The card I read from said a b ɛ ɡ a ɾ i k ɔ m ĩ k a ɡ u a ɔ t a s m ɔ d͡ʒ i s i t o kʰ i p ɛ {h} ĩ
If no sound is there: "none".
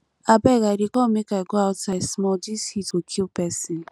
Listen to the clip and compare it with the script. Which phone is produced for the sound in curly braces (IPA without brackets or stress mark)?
s